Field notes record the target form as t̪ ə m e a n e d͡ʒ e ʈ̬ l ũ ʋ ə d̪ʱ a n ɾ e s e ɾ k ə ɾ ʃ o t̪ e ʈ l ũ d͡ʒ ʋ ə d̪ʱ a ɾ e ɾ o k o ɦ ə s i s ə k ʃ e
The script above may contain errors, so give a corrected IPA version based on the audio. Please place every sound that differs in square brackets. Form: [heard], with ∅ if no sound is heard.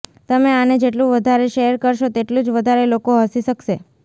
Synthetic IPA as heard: t̪ ə m e a n e d͡ʒ e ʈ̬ l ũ ʋ ə d̪ʱ a [∅] ɾ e [ʃ] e ɾ k ə ɾ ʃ o t̪ e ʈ l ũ d͡ʒ ʋ ə d̪ʱ a ɾ e [l] o k o ɦ ə s i [ʃ] ə k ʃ e